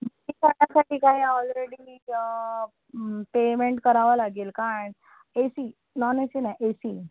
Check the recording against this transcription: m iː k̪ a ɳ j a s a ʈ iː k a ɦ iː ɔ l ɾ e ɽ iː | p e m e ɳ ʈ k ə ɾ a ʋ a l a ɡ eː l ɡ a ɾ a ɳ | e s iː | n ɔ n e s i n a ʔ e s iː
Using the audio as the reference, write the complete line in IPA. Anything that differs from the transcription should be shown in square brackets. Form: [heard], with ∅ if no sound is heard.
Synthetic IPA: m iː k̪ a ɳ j a s a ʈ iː k a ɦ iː ɔ l ɾ e ɽ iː | p e m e ɳ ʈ k ə ɾ a ʋ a l a ɡ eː l [k] a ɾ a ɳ | e s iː | n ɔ n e s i n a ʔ e s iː